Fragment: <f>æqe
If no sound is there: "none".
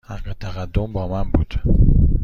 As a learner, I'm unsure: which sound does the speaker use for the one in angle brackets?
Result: h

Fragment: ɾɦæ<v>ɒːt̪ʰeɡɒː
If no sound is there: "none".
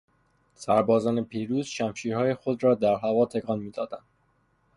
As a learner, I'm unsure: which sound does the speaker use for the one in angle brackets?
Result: v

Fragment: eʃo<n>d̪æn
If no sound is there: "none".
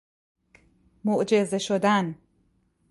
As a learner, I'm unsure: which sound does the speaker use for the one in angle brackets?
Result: none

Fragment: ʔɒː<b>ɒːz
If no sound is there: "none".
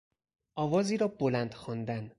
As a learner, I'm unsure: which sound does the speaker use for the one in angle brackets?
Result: v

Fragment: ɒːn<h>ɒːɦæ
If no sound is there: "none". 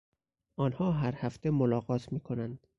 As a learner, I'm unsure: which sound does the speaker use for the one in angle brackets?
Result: h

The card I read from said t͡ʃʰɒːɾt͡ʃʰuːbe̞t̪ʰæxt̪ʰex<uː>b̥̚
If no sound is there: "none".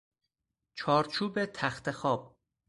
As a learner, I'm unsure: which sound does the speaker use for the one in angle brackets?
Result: ɒː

